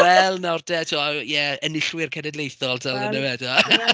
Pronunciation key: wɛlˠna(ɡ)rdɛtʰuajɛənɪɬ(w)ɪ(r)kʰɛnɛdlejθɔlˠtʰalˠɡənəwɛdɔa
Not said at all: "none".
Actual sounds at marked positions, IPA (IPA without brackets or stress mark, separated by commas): none, w, r